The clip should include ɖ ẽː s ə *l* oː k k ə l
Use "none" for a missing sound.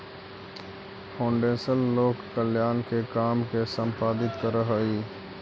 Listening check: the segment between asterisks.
lː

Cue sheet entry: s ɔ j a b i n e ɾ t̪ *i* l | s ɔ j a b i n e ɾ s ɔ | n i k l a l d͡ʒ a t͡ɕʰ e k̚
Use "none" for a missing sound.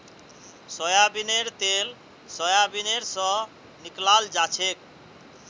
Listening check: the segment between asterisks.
e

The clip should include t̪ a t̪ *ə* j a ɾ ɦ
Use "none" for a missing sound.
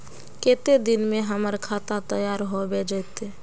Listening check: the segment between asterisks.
ə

